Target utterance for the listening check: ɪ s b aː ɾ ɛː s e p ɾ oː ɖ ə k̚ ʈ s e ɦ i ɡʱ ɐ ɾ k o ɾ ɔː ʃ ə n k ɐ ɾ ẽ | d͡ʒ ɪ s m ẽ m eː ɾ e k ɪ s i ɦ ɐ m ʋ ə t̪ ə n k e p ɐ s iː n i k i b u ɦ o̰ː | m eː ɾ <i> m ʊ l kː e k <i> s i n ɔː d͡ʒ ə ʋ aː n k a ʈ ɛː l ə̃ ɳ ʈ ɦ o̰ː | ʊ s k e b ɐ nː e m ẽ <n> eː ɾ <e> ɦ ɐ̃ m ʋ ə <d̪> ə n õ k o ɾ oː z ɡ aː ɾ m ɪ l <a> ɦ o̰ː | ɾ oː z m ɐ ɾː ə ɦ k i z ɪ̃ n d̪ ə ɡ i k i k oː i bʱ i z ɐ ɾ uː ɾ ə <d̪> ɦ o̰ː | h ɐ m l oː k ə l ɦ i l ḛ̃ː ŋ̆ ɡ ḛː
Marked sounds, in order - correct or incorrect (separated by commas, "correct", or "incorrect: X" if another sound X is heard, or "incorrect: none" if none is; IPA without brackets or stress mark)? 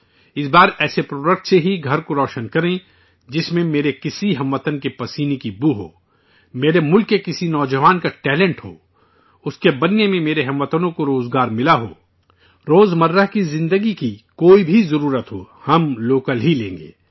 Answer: incorrect: e, incorrect: ɪ, incorrect: m, correct, incorrect: t̪, correct, incorrect: t̪